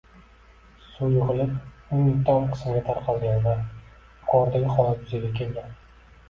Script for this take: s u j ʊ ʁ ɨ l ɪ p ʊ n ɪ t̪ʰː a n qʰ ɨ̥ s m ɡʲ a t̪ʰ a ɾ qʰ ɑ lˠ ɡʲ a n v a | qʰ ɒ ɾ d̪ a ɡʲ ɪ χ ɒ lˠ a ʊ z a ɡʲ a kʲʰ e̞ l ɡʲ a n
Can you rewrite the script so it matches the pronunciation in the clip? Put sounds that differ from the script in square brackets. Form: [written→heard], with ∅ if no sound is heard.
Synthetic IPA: s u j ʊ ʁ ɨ l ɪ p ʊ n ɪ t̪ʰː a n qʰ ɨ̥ s m ɡʲ a t̪ʰ a ɾ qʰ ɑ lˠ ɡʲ a n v a | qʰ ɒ ɾ d̪ a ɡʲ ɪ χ ɒ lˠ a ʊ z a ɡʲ a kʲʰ e̞ l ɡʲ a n

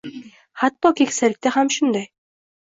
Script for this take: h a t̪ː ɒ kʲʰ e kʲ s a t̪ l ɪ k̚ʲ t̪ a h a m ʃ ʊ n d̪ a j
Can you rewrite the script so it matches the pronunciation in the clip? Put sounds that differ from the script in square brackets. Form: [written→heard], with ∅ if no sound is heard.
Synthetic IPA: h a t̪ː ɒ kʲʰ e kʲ s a [t̪→∅] l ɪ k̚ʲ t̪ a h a m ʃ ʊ n d̪ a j

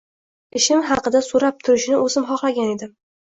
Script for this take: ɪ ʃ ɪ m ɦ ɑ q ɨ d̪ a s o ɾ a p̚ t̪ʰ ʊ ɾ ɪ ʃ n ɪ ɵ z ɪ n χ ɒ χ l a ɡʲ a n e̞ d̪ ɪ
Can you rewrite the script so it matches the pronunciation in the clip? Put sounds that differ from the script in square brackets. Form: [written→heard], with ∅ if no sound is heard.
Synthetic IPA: ɪ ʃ ɪ m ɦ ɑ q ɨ d̪ a s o ɾ a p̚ t̪ʰ ʊ ɾ ɪ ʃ n ɪ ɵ z ɪ [n→m] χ ɒ χ l a ɡʲ a n e̞ d̪ ɪ

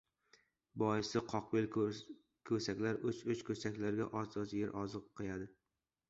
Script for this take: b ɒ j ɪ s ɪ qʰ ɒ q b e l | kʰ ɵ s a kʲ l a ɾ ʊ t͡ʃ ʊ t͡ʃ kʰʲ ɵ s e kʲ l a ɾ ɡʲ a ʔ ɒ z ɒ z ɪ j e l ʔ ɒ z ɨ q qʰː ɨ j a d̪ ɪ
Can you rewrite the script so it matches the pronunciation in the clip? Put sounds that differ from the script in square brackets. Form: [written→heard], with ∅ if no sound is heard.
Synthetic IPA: b ɒ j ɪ s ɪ qʰ ɒ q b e l | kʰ ɵ s a kʲ l a ɾ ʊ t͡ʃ ʊ t͡ʃ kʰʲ ɵ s [e→a] kʲ l a ɾ ɡʲ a ʔ ɒ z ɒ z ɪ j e [l→ɾ] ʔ ɒ z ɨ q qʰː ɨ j a d̪ ɪ

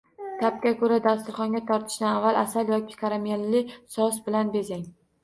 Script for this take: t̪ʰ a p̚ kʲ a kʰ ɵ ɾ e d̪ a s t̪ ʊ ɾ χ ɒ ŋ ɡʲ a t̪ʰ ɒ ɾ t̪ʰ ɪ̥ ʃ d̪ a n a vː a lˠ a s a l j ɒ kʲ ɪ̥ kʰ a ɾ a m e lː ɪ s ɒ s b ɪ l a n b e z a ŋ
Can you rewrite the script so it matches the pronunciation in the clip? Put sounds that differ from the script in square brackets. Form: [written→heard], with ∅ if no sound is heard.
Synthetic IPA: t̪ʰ a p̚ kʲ a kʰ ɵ ɾ [e→a] d̪ a s t̪ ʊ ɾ χ ɒ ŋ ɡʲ a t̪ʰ ɒ ɾ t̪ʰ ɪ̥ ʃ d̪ a n a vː a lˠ a s a l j ɒ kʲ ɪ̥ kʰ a ɾ a m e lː ɪ s ɒ s b ɪ l a n b e z a ŋ

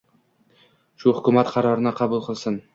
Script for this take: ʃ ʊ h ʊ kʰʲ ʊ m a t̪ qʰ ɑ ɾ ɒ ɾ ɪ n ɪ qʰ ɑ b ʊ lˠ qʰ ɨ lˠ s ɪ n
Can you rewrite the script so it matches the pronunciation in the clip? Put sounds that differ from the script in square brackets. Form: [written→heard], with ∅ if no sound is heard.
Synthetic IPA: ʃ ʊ h ʊ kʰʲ ʊ m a t̪ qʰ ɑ ɾ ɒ ɾ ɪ n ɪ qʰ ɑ b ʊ lˠ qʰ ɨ lˠ s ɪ n

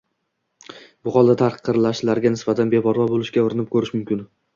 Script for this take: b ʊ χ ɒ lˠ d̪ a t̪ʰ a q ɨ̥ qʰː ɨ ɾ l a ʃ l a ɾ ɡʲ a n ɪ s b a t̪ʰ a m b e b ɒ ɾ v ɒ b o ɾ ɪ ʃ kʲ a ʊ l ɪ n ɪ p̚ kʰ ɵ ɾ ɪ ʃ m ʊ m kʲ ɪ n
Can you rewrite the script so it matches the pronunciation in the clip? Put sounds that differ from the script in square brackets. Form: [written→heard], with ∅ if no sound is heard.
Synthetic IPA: b ʊ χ ɒ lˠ d̪ a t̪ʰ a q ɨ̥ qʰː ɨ ɾ l a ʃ l a ɾ ɡʲ a n ɪ s b a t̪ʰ a [m→n] b e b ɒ ɾ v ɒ b o [ɾ→l] ɪ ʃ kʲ a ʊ [l→ɾ] ɪ n ɪ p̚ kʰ ɵ ɾ ɪ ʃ m ʊ m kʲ ɪ n

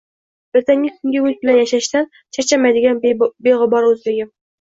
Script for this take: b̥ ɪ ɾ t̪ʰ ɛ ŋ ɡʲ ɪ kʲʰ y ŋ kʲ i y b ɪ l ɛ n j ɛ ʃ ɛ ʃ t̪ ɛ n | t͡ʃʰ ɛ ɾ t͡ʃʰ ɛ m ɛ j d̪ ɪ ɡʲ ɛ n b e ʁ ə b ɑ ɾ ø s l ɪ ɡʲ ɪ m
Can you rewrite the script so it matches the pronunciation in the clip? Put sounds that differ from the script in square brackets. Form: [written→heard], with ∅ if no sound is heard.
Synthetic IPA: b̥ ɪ ɾ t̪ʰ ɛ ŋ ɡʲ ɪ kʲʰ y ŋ [kʲ→ɡʲ] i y b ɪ l ɛ n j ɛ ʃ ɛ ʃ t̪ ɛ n | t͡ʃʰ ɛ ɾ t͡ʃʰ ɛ m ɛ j d̪ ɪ ɡʲ ɛ n b e ʁ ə b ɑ ɾ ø [s→z] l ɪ ɡʲ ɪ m

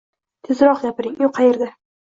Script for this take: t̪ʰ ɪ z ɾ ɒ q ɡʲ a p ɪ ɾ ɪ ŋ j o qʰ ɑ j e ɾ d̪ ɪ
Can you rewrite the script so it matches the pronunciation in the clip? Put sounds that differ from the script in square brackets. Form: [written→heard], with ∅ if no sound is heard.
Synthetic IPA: t̪ʰ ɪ z ɾ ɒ q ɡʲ a p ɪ ɾ ɪ ŋ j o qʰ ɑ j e ɾ d̪ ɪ

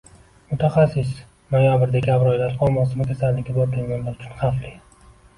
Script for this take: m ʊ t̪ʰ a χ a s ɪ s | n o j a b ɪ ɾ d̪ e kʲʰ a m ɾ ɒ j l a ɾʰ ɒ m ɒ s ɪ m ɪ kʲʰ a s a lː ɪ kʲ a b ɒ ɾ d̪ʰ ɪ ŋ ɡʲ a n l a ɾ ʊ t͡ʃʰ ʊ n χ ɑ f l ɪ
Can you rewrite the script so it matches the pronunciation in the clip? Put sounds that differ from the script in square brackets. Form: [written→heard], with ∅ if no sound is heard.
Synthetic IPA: m ʊ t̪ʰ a χ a s ɪ s | n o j a b ɪ ɾ d̪ e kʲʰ a [m→b] ɾ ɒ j l a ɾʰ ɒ m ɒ s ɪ m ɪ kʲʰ a s a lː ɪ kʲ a b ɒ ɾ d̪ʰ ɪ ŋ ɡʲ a n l a ɾ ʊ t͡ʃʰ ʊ n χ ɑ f l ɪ

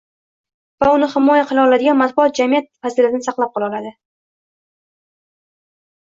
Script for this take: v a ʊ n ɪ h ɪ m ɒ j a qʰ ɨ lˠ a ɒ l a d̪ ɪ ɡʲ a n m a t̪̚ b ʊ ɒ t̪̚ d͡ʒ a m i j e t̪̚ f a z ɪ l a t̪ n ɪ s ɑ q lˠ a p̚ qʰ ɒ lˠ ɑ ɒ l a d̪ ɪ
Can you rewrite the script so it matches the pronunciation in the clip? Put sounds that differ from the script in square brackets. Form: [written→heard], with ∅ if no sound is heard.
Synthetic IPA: v a ʊ n ɪ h ɪ m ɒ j a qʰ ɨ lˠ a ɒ l a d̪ ɪ ɡʲ a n m a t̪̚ b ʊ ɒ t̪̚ d͡ʒ a m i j [e→a] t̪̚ f a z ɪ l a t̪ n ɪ s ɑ q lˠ a p̚ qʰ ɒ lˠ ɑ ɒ l a d̪ ɪ

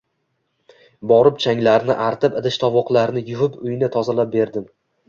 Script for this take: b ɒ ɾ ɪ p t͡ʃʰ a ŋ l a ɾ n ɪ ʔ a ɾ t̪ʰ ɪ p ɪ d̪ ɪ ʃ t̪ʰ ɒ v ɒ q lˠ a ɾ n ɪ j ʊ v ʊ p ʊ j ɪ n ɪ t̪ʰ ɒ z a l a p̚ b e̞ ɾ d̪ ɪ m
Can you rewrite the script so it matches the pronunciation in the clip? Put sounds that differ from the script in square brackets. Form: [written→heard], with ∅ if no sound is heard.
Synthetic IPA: b ɒ ɾ ɪ p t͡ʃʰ a ŋ l a ɾ n ɪ ʔ a ɾ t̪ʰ ɪ p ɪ d̪ ɪ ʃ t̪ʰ ɒ v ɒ q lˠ a ɾ n ɪ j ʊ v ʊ p ʊ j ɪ n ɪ t̪ʰ ɒ z a l a p̚ b e̞ ɾ d̪ ɪ m

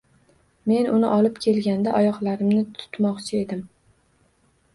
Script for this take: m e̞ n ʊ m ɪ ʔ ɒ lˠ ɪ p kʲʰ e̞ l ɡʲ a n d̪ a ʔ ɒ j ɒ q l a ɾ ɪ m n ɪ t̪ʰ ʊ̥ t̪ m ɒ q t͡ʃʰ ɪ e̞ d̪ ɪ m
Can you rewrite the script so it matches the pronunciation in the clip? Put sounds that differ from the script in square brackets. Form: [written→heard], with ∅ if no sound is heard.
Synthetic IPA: m e̞ n ʊ [m→n] ɪ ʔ ɒ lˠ ɪ p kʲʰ e̞ l ɡʲ a n d̪ a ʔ ɒ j ɒ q l a ɾ ɪ m n ɪ t̪ʰ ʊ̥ t̪ m ɒ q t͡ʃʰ ɪ e̞ d̪ ɪ m

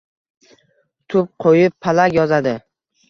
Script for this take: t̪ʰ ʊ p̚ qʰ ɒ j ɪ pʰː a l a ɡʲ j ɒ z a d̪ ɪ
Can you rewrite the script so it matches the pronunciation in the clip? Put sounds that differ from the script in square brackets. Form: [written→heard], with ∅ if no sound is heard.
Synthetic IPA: t̪ʰ ʊ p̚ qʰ [ɒ→o] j ɪ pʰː a l a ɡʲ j ɒ z a d̪ ɪ

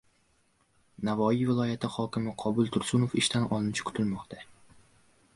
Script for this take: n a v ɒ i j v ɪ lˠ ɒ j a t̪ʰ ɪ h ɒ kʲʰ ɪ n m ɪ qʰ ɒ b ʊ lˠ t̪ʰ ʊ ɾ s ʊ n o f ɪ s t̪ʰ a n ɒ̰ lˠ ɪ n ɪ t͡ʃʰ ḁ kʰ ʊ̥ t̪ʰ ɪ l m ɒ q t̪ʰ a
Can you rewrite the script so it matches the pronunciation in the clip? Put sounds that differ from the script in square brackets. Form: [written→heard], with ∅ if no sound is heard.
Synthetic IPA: n a v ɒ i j v ɪ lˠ ɒ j a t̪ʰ ɪ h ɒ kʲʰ ɪ [n→∅] m ɪ qʰ ɒ b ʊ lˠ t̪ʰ ʊ ɾ s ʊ n o f ɪ [s→ʃ] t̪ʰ a n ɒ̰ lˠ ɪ n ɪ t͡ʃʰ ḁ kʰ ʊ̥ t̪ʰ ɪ l m ɒ q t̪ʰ a

